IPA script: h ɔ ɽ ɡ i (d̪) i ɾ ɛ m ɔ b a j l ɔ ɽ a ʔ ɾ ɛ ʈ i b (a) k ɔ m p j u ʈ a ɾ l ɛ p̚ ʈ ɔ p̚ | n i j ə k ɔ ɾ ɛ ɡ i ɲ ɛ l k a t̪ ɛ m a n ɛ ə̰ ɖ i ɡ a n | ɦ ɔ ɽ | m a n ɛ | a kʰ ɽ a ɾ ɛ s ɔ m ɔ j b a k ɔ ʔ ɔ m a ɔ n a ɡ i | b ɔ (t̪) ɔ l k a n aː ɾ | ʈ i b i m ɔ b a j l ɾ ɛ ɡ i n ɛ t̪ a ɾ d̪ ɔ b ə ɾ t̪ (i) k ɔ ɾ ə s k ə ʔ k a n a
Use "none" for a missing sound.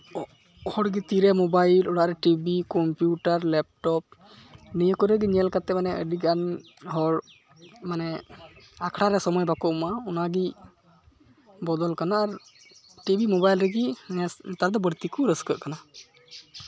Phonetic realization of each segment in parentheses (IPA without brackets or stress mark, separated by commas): t̪, i, d̪, i